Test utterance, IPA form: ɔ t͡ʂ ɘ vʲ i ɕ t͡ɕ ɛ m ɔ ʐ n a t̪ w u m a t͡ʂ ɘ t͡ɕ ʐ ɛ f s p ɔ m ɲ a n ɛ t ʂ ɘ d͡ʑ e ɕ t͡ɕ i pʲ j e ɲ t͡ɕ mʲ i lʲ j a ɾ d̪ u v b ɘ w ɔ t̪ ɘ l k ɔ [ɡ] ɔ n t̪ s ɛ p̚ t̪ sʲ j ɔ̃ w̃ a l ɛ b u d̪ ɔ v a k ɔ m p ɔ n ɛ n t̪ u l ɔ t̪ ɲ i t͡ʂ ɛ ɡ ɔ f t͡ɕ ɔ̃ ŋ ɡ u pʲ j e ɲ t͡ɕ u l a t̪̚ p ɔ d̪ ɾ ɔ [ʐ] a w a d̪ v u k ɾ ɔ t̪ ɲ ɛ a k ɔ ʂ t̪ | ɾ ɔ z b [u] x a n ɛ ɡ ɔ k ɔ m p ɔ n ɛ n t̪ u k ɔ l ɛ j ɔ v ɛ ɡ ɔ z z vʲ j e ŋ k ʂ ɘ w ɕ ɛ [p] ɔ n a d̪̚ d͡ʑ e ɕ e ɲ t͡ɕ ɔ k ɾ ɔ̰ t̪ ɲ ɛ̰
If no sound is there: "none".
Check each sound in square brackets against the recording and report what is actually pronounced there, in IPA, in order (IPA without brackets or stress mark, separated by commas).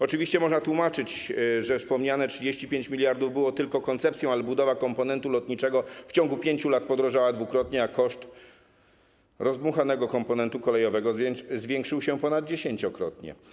k, ʐ, u, p